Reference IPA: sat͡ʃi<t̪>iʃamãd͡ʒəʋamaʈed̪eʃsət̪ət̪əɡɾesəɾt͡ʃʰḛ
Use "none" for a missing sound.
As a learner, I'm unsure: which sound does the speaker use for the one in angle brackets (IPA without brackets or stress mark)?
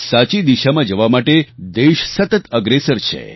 d̪